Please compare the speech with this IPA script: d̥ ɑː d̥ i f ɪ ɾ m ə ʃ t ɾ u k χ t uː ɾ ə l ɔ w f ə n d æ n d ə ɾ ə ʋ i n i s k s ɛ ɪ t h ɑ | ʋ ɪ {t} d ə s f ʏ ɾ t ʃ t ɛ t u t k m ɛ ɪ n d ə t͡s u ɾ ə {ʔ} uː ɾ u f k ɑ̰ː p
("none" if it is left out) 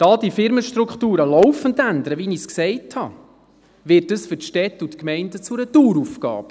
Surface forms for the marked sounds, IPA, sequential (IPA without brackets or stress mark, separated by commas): t, t